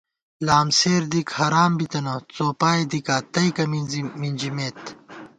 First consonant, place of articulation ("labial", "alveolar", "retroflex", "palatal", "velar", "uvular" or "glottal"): alveolar